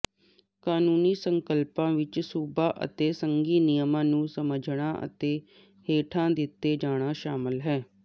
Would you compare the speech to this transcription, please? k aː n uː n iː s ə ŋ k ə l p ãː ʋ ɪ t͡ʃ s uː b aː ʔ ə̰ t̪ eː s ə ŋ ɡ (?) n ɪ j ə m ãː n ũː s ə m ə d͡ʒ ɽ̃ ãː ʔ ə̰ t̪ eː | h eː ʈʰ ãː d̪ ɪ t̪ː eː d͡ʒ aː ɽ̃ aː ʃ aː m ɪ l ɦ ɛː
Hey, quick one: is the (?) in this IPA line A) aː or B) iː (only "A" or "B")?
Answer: B